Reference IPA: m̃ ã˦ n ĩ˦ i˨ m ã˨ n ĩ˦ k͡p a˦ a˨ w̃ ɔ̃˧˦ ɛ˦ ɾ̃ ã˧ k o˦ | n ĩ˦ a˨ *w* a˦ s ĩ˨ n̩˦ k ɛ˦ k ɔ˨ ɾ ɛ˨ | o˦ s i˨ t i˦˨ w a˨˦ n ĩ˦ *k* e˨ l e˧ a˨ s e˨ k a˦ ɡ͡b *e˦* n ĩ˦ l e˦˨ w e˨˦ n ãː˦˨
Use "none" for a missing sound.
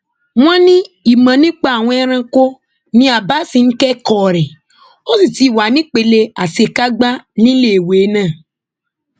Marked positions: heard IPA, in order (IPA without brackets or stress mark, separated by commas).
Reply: b, k͡p, a˦